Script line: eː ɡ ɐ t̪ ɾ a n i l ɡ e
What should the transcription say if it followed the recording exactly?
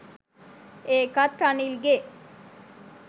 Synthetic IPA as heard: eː k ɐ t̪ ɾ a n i l ɡ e